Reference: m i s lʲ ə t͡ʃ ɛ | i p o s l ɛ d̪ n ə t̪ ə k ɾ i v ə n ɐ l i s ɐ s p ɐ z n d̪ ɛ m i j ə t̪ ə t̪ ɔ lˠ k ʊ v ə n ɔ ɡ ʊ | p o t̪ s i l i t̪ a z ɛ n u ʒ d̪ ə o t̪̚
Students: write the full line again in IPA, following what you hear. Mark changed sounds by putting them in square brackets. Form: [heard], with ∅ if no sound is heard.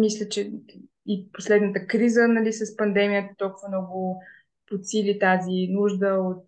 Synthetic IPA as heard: m i s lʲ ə t͡ʃ ɛ | i p o s l ɛ d̪ n ə t̪ ə k ɾ i [z] ə n ɐ l i s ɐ s p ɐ [∅] n d̪ ɛ m i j ə t̪ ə t̪ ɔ lˠ k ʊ v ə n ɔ ɡ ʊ | p o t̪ s i l i t̪ a z [i] n u ʒ d̪ ə o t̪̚